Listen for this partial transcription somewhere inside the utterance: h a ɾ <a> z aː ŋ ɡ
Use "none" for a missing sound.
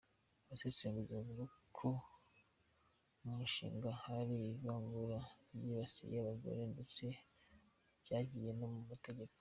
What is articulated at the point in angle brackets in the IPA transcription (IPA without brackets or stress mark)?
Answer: i